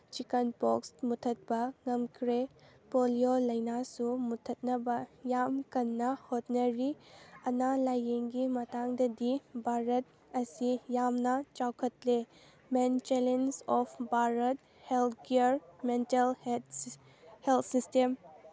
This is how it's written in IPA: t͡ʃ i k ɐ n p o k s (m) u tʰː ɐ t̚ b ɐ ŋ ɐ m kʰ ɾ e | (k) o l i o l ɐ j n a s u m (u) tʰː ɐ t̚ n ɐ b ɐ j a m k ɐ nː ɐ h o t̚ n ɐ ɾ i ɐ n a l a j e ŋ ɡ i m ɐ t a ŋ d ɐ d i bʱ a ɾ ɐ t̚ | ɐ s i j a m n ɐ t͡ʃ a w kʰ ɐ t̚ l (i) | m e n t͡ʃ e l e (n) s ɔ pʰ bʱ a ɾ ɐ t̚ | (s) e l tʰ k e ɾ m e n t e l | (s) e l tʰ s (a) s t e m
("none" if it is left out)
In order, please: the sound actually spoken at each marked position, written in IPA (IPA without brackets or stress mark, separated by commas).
m, p, u, e, n, h, h, i